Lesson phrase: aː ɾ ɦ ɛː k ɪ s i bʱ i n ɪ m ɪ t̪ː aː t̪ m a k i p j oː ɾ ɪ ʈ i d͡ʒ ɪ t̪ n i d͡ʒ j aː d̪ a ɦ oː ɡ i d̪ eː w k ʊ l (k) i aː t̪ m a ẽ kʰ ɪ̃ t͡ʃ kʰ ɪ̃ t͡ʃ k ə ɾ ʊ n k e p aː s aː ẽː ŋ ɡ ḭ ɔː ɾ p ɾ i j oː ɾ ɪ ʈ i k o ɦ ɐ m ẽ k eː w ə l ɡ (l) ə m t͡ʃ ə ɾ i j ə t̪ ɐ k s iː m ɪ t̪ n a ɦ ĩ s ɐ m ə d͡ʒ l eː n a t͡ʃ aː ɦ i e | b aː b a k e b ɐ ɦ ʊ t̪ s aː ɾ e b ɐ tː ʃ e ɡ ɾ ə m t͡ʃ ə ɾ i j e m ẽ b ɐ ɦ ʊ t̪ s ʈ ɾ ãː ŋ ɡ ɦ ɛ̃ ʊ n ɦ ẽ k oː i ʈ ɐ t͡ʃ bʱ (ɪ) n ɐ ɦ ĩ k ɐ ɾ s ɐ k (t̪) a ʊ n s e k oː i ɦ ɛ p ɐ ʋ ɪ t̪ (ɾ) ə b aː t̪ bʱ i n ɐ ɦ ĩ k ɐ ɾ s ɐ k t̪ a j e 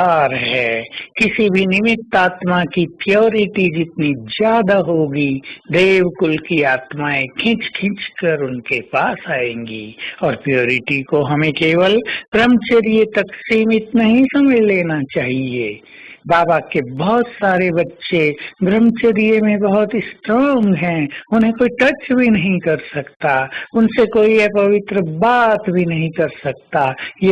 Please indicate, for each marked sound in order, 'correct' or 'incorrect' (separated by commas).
correct, incorrect, incorrect, correct, correct